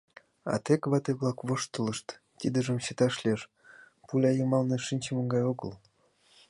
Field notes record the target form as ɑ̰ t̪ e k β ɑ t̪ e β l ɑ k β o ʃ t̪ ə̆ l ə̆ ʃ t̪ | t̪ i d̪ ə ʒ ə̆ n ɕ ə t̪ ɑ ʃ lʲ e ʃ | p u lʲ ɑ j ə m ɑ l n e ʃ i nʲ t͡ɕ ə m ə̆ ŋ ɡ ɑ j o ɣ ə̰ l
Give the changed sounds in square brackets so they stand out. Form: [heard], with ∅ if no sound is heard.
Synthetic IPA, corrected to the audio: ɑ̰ t̪ e k β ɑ t̪ e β l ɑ k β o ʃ t̪ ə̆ l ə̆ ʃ t̪ | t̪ i d̪ ə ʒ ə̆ [m] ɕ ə t̪ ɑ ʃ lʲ e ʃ | p u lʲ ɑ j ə m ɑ l n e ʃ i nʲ t͡ɕ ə m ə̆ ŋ ɡ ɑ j o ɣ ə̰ l